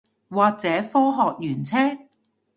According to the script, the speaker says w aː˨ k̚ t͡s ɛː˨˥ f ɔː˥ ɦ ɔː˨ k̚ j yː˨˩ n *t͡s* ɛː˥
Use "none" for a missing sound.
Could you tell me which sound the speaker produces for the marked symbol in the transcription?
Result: t͡sʰ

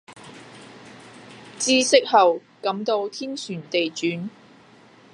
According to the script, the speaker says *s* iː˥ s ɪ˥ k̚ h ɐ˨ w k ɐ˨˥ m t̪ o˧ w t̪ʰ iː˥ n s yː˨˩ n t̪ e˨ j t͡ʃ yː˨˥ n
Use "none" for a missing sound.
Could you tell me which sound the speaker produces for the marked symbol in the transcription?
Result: t͡s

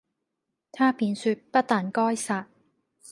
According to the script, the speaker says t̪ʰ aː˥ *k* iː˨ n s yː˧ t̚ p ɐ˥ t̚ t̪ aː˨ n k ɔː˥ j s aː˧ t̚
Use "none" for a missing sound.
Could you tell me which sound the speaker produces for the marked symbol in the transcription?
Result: p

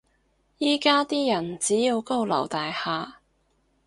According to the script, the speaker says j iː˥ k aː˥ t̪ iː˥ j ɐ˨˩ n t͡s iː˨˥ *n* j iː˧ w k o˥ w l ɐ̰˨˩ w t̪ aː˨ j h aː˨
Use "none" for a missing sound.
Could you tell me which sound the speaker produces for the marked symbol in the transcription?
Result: none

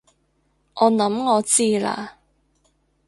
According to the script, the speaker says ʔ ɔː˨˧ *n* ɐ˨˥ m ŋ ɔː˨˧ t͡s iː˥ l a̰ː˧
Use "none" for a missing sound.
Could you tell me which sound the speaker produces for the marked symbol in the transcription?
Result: n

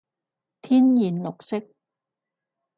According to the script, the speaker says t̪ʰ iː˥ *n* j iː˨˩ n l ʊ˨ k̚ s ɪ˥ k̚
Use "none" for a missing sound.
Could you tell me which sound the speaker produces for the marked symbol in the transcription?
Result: n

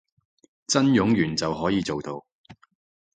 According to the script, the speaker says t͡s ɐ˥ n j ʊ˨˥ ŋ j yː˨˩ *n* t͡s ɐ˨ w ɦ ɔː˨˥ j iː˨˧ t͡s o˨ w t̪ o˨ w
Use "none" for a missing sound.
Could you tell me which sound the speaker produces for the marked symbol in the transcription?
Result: n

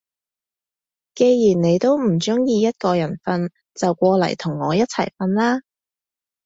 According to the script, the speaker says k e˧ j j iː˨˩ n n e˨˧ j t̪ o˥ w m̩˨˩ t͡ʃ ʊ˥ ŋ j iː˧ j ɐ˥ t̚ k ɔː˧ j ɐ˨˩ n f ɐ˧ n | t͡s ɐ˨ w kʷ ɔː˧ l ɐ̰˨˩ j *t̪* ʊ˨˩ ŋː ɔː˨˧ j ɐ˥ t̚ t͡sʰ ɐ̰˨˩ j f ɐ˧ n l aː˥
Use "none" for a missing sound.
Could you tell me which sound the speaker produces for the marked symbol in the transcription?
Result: t̪ʰ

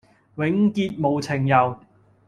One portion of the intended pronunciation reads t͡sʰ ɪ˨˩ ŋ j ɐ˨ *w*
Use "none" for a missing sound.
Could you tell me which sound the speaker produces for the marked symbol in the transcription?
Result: w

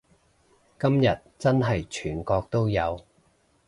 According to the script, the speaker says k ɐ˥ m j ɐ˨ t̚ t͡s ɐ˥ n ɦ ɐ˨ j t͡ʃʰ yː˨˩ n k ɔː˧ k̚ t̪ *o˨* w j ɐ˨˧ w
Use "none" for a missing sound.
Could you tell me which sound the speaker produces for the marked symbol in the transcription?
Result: o˥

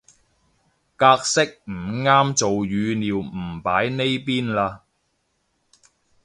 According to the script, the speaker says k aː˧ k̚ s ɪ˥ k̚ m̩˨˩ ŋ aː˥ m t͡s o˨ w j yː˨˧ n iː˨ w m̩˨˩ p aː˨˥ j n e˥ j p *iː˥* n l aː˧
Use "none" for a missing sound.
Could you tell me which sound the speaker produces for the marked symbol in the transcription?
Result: iː˥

